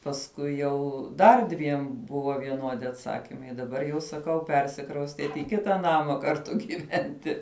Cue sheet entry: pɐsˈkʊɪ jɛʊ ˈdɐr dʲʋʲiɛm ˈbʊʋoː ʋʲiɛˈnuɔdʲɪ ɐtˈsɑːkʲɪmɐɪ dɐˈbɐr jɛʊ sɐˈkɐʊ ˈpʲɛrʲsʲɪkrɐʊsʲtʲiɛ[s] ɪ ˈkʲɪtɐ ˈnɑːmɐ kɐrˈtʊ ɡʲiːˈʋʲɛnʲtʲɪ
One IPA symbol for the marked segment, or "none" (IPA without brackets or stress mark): t